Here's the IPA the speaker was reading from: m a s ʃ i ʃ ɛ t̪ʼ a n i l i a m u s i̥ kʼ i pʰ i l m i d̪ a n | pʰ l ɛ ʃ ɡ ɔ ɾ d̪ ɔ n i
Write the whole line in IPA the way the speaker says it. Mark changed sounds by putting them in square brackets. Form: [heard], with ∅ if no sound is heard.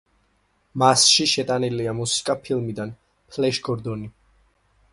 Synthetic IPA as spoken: m a s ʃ i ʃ ɛ t̪ʼ a n i l i a m u s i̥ kʼ [a] pʰ i l m i d̪ a n | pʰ l ɛ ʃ ɡ ɔ ɾ d̪ ɔ n i